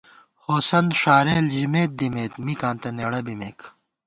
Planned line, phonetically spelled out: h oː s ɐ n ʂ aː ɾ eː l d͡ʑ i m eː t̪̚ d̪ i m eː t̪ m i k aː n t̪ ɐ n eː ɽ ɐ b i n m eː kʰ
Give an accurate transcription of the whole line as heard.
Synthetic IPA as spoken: h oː s ɐ n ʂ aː ɾ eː l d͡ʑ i m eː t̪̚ d̪ i m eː t̪ m i k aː n t̪ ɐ n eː ɽ ɐ b i m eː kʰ